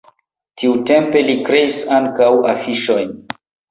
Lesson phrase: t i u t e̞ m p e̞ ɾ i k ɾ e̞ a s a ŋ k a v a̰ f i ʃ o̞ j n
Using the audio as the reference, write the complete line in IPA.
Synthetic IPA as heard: t i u t e̞ m p e̞ l i k ɾ e̞ i s a ŋ k a w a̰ f i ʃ o̞ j n